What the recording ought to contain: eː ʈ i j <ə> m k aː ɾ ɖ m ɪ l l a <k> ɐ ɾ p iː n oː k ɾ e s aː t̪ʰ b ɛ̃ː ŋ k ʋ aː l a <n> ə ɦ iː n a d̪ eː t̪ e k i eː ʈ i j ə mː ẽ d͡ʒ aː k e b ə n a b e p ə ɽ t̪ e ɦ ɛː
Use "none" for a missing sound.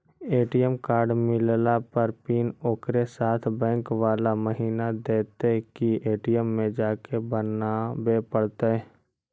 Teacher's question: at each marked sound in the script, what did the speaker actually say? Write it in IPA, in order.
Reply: ə, p, m

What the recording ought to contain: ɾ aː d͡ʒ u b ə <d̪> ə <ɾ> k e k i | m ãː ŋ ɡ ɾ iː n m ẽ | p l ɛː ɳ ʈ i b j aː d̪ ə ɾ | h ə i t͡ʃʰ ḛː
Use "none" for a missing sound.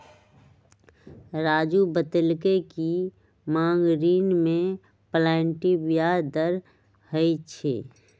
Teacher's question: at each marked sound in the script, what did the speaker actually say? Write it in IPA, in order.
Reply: t̪, l

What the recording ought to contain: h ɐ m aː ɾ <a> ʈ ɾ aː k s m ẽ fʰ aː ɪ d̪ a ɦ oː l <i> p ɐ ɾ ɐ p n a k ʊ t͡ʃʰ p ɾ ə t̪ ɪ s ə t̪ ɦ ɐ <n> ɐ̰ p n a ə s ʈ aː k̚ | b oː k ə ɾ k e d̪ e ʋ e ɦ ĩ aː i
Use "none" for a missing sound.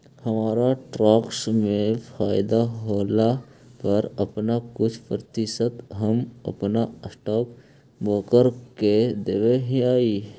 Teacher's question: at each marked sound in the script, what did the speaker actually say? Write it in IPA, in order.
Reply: a, a, m

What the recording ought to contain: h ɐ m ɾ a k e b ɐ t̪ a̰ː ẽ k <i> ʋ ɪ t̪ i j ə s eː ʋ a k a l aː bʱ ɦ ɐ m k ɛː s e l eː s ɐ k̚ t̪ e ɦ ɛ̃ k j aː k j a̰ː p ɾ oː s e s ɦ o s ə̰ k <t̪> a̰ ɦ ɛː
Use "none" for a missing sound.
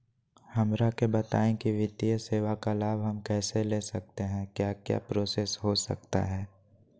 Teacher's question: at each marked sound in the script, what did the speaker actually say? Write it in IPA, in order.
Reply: i, t̪

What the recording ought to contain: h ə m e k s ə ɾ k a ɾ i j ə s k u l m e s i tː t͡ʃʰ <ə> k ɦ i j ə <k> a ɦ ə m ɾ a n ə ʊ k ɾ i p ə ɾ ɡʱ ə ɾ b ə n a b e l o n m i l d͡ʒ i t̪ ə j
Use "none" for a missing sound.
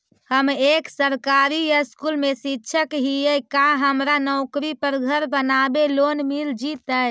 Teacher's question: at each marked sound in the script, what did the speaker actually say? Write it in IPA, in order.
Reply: ə, k

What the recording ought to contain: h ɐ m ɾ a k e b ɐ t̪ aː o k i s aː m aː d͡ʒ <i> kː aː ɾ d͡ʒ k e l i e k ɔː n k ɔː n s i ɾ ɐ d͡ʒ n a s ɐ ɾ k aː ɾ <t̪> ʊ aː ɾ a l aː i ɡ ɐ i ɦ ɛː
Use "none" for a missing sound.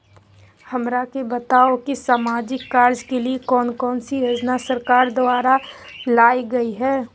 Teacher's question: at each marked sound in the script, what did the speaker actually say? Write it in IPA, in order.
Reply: ɪ, d̪

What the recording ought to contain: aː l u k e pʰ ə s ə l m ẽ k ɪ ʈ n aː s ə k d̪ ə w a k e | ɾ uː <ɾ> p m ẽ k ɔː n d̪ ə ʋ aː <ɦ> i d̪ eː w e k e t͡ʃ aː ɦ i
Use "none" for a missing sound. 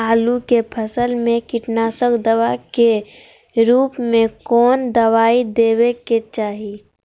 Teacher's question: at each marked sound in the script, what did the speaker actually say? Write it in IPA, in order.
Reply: none, none

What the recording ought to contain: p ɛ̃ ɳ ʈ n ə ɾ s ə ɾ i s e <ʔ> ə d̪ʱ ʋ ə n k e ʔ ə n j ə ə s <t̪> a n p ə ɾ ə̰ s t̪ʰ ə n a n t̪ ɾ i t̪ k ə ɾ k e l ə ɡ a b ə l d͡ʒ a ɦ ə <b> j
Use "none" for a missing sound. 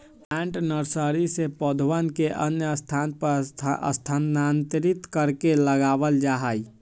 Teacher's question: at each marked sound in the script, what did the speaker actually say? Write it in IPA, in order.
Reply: p, t̪ʰ, none

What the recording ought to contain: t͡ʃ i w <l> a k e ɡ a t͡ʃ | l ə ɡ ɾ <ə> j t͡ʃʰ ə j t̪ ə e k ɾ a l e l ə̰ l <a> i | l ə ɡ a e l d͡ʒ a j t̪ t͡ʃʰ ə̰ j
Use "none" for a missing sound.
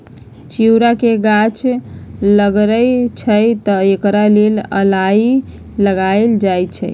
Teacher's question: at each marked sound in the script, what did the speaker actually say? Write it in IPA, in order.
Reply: ɾ, ə, a

